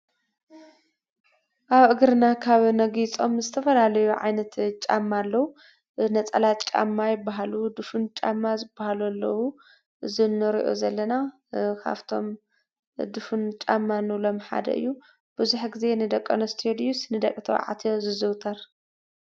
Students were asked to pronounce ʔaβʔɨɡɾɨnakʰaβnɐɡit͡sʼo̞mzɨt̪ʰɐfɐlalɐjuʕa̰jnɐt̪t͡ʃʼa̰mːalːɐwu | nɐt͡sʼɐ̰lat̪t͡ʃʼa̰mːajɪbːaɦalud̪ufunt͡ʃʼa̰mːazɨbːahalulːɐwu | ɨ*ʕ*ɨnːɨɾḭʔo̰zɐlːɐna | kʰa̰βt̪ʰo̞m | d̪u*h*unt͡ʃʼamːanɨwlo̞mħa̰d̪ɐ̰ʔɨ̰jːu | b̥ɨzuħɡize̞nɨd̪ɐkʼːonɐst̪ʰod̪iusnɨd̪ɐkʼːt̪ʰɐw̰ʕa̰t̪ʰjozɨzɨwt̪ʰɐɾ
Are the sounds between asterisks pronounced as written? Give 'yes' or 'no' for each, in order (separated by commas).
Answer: no, no